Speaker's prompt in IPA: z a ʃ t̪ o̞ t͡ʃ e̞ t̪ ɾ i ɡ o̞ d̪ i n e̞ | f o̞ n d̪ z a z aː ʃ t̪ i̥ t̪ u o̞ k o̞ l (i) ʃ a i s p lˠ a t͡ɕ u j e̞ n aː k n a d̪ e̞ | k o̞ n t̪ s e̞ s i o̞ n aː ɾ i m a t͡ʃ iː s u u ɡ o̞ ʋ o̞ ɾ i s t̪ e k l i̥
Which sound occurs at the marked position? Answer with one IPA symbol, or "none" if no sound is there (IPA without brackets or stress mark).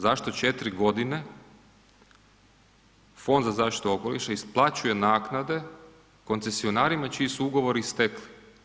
i